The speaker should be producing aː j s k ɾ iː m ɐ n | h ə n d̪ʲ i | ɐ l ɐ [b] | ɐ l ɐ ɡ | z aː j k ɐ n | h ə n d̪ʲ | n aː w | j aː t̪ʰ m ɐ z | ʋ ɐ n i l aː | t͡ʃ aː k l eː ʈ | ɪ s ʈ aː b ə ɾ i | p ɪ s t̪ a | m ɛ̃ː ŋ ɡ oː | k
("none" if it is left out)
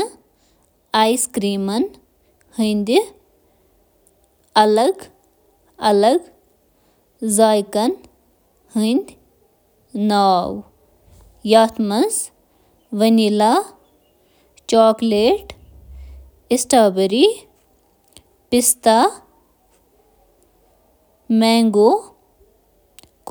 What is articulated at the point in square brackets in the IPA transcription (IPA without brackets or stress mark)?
ɡ